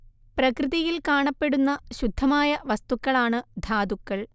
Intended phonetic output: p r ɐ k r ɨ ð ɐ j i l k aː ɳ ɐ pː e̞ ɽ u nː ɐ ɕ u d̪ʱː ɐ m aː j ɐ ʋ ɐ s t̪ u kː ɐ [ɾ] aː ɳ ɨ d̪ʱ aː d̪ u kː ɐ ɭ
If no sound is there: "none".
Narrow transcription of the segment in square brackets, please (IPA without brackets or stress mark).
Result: ɭ